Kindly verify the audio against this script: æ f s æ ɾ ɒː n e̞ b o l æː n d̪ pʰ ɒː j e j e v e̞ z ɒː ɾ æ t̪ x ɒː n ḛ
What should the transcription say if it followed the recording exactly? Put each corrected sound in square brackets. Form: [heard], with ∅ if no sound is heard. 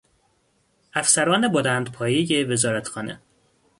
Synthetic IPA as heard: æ f s æ ɾ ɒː n e̞ b o l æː n d̪ pʰ ɒː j e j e v e̞ z ɒː ɾ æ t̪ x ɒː n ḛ